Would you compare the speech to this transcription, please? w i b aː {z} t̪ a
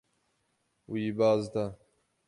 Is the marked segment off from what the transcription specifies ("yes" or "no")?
no